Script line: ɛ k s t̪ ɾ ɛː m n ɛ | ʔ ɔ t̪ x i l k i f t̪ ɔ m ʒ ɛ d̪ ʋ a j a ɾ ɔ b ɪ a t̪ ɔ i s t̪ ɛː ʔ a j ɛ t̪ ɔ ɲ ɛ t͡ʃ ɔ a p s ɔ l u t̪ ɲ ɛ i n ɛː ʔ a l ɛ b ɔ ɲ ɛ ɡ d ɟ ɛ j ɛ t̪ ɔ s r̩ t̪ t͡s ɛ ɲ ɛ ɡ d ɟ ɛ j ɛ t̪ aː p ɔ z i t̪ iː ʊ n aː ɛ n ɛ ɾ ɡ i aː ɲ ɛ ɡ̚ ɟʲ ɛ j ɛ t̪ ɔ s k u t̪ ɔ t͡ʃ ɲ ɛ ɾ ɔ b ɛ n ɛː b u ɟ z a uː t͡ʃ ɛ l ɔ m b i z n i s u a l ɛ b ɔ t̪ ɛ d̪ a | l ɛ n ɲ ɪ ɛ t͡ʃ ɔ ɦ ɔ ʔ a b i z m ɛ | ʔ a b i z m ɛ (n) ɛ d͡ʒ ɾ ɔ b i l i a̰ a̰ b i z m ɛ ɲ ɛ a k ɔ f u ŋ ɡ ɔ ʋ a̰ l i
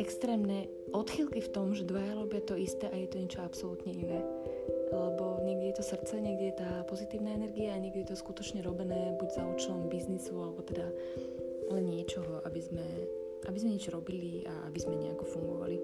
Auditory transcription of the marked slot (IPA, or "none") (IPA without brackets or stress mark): ɲ